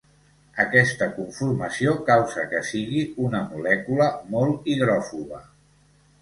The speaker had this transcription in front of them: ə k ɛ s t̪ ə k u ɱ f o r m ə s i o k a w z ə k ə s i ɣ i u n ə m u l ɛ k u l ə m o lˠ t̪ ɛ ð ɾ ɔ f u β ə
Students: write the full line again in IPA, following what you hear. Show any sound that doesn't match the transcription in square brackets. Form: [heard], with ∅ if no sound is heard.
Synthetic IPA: ə k ɛ s t̪ ə k u ɱ f [u] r m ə s i o k a w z ə k ə s i ɣ i u n ə m u l ɛ k u l ə m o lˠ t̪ [i] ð ɾ ɔ f u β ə